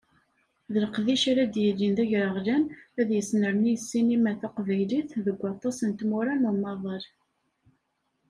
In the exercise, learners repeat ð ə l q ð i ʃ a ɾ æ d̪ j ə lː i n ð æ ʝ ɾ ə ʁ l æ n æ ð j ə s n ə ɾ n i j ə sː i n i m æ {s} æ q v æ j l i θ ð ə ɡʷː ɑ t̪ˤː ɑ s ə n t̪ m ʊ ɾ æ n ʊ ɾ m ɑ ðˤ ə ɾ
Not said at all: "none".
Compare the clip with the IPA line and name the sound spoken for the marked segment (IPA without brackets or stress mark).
θ